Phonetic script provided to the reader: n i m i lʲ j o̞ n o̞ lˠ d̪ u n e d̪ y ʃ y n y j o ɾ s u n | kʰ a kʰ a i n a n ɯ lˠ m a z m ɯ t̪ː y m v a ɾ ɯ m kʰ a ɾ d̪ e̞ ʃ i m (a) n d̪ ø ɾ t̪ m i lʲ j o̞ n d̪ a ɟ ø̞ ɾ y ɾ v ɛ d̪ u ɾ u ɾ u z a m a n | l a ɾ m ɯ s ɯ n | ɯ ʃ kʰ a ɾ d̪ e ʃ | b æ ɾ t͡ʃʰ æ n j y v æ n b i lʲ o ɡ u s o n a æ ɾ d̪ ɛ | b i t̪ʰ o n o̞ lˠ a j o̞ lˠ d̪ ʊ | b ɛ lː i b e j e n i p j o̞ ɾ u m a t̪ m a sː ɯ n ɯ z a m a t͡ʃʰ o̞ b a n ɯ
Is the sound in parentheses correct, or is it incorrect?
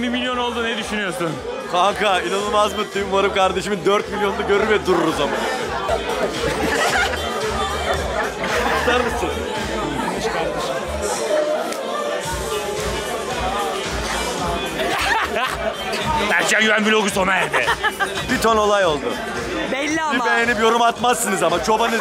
incorrect